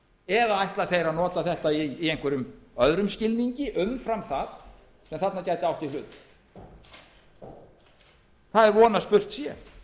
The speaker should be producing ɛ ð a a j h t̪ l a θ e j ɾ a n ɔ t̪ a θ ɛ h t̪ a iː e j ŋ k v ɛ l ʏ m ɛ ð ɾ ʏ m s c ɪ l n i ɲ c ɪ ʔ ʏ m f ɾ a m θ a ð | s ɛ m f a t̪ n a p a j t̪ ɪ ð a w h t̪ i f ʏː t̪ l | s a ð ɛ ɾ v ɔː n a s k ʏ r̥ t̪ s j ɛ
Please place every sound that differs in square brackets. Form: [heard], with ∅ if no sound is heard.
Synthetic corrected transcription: ɛ ð a a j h t̪ l a θ e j ɾ a n [ɔː] t̪ a θ ɛ h t̪ a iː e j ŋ k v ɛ [ɾ] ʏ m [œ] ð ɾ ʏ m s c ɪ l n i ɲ c ɪ ʔ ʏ m f ɾ a m θ a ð | s ɛ m [θ] a t̪ n a [c] a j t̪ ɪ [∅] a w h t̪ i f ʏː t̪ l | [θ] a ð ɛ ɾ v ɔː n a s [p] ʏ r̥ t̪ s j ɛ

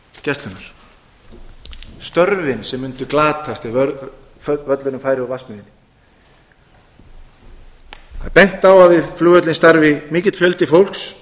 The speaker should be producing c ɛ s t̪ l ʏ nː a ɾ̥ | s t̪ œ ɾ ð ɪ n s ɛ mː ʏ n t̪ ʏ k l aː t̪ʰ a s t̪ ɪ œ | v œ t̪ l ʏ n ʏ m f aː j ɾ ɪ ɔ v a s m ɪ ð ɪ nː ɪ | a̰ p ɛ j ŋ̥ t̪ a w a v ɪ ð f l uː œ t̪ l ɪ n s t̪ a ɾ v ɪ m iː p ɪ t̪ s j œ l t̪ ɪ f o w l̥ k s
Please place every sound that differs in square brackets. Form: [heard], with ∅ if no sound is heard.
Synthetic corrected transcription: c ɛ s t̪ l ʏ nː a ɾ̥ | s t̪ œ ɾ [v] ɪ n s ɛ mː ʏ n t̪ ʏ k l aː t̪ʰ a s t̪ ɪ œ | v œ t̪ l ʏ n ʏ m f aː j ɾ ɪ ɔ v a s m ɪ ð ɪ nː ɪ | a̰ p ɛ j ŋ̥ t̪ a w a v ɪ ð f l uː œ t̪ l ɪ n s t̪ a ɾ v ɪ m iː [c] ɪ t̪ [f] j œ l t̪ ɪ f o w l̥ k s

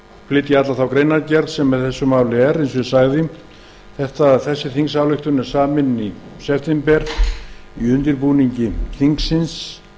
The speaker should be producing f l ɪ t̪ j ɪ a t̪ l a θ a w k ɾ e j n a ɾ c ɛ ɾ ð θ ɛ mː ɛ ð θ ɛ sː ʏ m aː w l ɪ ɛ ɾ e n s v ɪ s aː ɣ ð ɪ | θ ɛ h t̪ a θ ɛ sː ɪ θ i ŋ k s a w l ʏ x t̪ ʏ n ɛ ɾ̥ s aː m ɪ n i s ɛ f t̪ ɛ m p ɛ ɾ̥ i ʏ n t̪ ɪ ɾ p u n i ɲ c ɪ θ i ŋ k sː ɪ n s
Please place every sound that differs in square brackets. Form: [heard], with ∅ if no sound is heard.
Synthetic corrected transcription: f l ɪ t̪ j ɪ a t̪ l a θ a w k ɾ e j n a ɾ c ɛ ɾ ð [s] ɛ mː ɛ ð θ ɛ sː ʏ m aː w l ɪ ɛ ɾ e n s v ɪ s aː ɣ ð ɪ | θ ɛ h t̪ a θ ɛ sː ɪ θ i ŋ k s a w l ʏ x t̪ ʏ n ɛ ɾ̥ s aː m ɪ n i s ɛ f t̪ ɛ m p ɛ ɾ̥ i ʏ n t̪ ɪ ɾ p u n i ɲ c ɪ θ i ŋ k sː ɪ n s

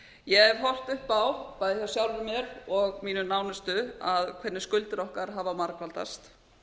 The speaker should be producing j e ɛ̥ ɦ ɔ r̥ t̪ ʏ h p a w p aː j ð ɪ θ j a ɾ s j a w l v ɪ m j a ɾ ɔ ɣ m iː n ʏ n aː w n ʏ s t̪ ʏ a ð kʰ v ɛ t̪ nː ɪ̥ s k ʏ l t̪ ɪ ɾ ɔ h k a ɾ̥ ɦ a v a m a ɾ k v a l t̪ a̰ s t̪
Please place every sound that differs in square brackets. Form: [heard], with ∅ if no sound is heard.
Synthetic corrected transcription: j [ɛ] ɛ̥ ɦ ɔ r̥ t̪ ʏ h p a w p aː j ð ɪ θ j a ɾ s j a w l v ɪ m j [ɛ] ɾ ɔ ɣ m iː n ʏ n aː w n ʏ s t̪ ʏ a ð kʰ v ɛ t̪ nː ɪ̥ s k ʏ l t̪ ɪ ɾ ɔ h k a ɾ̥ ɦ a v a m a ɾ k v a l t̪ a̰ s t̪

